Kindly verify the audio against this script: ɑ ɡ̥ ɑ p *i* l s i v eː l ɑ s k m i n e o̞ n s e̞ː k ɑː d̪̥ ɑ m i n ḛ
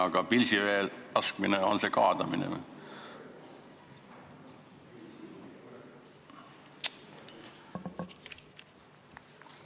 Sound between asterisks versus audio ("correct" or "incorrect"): correct